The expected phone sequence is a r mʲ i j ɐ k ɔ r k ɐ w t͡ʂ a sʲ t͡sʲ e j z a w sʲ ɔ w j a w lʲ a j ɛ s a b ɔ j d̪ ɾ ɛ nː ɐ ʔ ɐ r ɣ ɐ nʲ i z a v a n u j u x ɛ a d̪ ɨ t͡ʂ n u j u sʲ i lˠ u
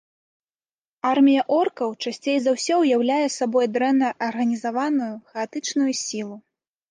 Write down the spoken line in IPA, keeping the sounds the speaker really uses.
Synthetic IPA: a r mʲ i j ɐ ʔ ɔ r k ɐ w t͡ʂ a sʲ t͡sʲ e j z a w sʲ ɔ w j a w lʲ a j ɛ s a b ɔ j d̪ ɾ ɛ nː ɐ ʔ ɐ r ɣ ɐ nʲ i z a v a n u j u x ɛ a t̪ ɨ t͡ʂ n u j u sʲ i lˠ u

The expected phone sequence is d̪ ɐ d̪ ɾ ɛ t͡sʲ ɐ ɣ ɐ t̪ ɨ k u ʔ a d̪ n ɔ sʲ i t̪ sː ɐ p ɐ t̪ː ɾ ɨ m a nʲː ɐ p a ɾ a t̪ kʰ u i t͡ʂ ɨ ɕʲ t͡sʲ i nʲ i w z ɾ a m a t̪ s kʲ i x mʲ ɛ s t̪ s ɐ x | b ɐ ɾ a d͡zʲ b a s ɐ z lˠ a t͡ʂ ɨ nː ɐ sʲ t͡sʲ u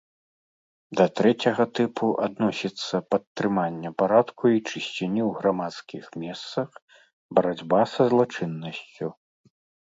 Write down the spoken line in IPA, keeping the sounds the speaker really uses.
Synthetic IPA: d̪ ɐ t̪ ɾ ɛ t͡sʲ ɐ ɣ ɐ t̪ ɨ p u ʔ a d̪ n ɔ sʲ i t̪ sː ɐ p ɐ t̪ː ɾ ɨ m a nʲː ɐ p a ɾ a t̪ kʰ u i t͡ʂ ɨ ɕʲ t͡sʲ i nʲ i w ɣ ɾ a m a t̪ s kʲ i x mʲ ɛ s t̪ s ɐ x | b ɐ ɾ a d͡zʲ b a s ɐ z lˠ a t͡ʂ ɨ nː ɐ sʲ t͡sʲ u

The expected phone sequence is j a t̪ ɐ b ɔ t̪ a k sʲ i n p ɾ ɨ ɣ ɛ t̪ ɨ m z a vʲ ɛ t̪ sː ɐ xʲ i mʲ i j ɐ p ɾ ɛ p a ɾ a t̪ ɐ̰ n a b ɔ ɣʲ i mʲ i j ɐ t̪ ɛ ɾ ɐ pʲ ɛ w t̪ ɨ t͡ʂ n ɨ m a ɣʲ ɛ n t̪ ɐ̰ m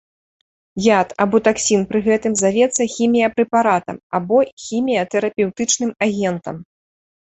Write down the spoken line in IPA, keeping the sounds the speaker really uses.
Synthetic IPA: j a t̪ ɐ b ɔ t̪ a k sʲ i n p ɾ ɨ ɣ ɛ t̪ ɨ m z a vʲ ɛ t̪ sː ɐ xʲ i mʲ i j ɐ p ɾ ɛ p a ɾ a t̪ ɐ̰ m a b ɔ xʲ i mʲ i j ɐ t̪ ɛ ɾ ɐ pʲ ɛ w t̪ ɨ t͡ʂ n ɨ m a ɣʲ ɛ n t̪ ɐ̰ m

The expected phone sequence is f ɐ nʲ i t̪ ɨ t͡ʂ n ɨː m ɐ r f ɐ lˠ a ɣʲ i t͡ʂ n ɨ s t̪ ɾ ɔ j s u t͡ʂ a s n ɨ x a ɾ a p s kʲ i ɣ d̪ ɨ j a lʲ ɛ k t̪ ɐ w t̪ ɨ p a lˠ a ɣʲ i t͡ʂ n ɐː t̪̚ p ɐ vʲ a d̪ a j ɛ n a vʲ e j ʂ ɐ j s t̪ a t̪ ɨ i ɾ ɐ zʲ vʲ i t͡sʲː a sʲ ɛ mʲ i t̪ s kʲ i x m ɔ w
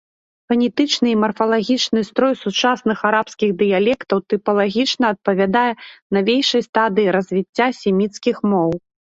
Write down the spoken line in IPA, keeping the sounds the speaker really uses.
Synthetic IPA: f ɐ nʲ i t̪ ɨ t͡ʂ n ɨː m ɐ r f ɐ lˠ a ɣʲ i t͡ʂ n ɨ s t̪ ɾ ɔ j s u t͡ʂ a s n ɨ x a ɾ a p s kʲ i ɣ d̪ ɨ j a lʲ ɛ k t̪ ɐ w t̪ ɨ p ɐ lˠ a ɣʲ i t͡ʂ n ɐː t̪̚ p ɐ vʲ a d̪ a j ɛ n a vʲ e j ʂ ɐ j s t̪ a d̪ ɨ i ɾ ɐ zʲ vʲ i t͡sʲː a sʲ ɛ mʲ i t̪ s kʲ i x m ɔ w

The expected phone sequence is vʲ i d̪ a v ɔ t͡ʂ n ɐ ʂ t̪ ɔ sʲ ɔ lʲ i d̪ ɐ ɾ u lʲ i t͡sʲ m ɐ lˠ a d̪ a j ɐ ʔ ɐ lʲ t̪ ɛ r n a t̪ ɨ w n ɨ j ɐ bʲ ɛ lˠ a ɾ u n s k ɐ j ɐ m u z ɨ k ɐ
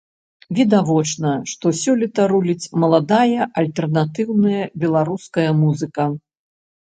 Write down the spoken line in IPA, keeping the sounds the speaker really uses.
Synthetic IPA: vʲ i d̪ a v ɔ t͡ʂ n ɐ ʂ t̪ ɔ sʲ ɔ lʲ i t̪ ɐ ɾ u lʲ i t͡sʲ m ɐ lˠ a d̪ a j ɐ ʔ ɐ lʲ t̪ ɛ r n a t̪ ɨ w n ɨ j ɐ bʲ ɛ lˠ a ɾ u s k ɐ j ɐ m u z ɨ k ɐ

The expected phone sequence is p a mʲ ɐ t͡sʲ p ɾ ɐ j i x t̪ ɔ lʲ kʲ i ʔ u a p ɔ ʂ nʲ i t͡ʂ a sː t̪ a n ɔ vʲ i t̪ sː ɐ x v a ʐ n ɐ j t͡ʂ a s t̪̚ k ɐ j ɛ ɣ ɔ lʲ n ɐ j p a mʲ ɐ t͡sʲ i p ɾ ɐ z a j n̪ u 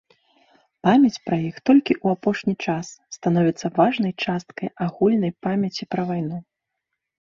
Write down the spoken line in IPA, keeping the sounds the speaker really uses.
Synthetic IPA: p a mʲ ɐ t͡sʲ p ɾ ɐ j i x t̪ ɔ lʲ kʲ i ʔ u a p ɔ ʂ nʲ i t͡ʂ a sː t̪ a n ɔ vʲ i t̪ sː ɐ v a ʐ n ɐ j t͡ʂ a s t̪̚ k ɐ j a ɣ u lʲ n ɐ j p a mʲ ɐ t͡sʲ i p ɾ ɐ v a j n̪ u

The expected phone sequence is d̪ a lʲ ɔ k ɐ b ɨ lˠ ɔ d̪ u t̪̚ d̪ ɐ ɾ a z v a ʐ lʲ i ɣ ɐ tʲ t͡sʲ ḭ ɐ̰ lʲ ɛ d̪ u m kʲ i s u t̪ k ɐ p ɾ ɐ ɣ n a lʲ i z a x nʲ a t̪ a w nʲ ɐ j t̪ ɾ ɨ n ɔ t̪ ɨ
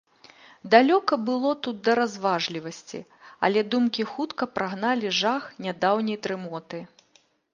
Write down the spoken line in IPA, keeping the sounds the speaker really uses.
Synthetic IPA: d̪ a lʲ ɔ k ɐ b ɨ lˠ ɔ t̪ u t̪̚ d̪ ɐ ɾ a z v a ʐ lʲ i v ɐ sʲ t͡sʲ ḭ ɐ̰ lʲ ɛ d̪ u m kʲ i x u t̪ k ɐ p ɾ a ɣ n a lʲ i ʐ a x nʲ a d̪ a w nʲ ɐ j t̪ ɾ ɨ m ɔ t̪ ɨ

